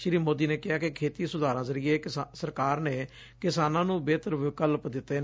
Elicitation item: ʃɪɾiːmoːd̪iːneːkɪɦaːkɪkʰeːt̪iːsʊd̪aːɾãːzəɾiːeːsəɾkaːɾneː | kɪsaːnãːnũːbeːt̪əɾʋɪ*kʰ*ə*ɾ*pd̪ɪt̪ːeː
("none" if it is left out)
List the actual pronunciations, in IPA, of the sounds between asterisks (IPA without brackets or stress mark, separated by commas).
k, l